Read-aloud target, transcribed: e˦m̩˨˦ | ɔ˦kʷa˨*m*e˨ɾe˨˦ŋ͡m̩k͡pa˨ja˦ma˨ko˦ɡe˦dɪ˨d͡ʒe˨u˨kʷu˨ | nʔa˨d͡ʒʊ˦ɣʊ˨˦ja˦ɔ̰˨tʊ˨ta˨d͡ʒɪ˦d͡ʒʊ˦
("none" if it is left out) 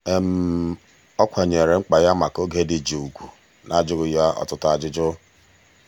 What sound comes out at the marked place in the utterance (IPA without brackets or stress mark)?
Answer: ɲ